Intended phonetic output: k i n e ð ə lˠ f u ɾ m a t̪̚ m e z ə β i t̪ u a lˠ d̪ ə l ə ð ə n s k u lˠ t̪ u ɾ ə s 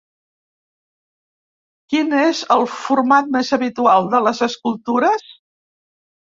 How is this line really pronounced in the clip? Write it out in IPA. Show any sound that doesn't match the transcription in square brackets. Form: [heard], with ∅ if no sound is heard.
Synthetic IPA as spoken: k i n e [z] ə lˠ f u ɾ m a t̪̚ m e z ə β i t̪ u a lˠ d̪ ə l ə [z] ə [∅] s k u lˠ t̪ u ɾ ə s